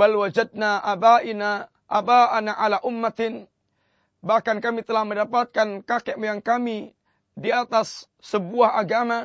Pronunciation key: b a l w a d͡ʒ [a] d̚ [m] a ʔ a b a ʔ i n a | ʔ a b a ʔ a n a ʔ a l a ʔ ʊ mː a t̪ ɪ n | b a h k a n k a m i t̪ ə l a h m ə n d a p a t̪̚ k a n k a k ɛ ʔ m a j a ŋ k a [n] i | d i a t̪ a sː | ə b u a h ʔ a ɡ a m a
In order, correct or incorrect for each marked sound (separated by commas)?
correct, incorrect, incorrect